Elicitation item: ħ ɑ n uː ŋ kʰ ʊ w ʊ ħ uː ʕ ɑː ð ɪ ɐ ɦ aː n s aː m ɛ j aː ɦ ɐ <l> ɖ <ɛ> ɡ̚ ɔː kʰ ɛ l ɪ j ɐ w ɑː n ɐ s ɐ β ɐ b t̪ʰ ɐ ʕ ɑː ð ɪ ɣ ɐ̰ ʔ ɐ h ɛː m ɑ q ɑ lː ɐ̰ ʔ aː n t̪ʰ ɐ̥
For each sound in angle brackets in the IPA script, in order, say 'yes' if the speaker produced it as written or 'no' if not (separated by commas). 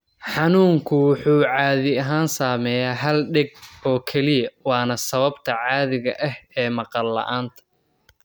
yes, yes